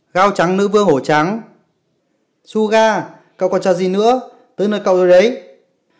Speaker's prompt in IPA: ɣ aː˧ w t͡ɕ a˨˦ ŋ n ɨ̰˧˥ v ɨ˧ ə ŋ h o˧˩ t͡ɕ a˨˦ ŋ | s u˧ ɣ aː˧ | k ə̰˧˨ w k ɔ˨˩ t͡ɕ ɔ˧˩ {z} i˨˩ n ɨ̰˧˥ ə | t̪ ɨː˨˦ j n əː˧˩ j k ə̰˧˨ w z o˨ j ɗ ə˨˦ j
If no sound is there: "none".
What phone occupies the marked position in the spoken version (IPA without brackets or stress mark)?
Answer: z